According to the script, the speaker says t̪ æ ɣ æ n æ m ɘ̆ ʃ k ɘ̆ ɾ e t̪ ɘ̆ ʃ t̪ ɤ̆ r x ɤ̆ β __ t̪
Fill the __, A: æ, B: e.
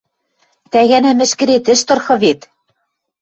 B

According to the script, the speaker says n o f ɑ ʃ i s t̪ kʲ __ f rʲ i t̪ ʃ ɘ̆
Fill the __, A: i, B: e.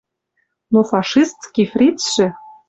A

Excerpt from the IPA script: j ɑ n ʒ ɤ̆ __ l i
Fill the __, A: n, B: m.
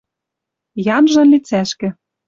A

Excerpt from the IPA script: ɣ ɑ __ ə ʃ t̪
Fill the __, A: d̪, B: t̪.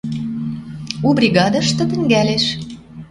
A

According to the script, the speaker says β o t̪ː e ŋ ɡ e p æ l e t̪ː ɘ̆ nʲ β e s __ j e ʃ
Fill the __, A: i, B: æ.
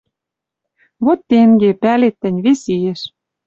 A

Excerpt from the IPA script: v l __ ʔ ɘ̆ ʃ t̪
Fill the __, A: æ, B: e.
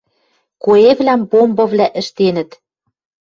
A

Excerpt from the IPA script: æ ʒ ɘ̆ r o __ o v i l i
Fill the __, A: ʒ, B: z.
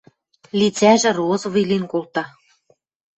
B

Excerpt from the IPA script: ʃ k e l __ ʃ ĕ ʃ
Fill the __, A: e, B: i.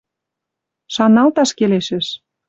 A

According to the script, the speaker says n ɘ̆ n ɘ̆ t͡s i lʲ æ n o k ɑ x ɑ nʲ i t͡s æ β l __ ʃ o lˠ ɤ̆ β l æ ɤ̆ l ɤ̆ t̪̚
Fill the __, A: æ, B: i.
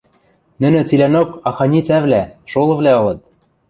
A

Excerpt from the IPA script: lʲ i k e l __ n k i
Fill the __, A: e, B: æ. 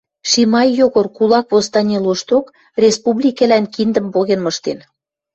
B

